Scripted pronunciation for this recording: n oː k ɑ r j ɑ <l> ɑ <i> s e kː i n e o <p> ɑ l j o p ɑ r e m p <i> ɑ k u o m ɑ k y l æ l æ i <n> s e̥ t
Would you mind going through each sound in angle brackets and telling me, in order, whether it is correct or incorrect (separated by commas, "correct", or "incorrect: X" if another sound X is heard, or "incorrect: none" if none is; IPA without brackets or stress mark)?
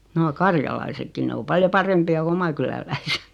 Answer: correct, correct, correct, correct, incorrect: none